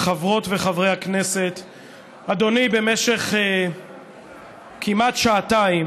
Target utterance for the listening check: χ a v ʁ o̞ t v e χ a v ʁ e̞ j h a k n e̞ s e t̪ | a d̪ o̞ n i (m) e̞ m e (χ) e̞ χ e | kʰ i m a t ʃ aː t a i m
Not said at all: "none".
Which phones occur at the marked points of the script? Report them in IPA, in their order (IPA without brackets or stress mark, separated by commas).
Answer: b, ʃ